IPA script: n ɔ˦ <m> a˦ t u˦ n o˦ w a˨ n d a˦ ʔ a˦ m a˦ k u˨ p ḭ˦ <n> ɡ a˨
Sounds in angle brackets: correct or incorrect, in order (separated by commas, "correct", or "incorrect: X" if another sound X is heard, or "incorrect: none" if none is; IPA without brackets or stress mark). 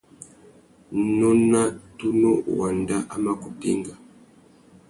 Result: incorrect: n, incorrect: ŋ